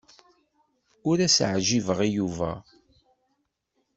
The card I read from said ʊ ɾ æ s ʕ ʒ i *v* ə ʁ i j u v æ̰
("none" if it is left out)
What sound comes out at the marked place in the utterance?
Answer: v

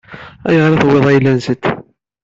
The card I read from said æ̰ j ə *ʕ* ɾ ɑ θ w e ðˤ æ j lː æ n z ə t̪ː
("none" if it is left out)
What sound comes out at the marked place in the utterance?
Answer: ʁ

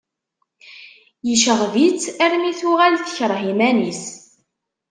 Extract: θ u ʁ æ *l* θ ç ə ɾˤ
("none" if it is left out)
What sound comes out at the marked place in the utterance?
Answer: l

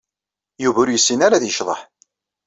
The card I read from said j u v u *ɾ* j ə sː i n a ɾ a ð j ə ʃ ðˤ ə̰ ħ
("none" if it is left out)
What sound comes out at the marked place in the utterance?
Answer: ɾ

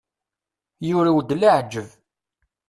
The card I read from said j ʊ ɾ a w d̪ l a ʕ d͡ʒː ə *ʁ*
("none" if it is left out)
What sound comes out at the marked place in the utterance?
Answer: v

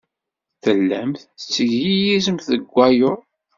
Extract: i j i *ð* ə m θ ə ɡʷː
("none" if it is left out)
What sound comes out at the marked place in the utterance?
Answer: z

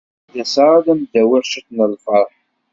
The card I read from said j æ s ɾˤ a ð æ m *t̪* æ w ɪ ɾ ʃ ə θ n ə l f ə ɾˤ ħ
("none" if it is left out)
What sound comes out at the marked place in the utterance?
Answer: d̪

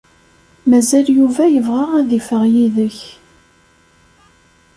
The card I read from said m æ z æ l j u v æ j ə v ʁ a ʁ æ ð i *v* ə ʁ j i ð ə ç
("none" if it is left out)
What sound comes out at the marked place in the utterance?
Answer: f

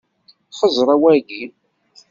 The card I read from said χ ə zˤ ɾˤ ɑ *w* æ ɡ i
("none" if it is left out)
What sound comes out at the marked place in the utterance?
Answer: w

